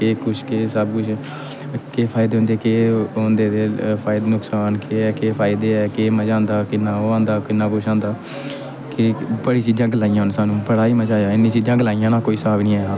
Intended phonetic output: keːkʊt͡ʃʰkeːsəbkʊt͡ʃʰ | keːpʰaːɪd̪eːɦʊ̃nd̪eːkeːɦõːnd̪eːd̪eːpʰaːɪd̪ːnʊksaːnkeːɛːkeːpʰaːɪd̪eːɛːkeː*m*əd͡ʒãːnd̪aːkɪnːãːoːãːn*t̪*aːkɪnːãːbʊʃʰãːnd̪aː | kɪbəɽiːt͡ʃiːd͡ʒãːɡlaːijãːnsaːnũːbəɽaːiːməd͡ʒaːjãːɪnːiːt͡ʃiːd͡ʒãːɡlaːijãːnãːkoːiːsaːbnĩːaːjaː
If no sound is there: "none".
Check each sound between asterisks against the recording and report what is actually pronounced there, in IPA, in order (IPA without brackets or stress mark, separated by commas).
m, d̪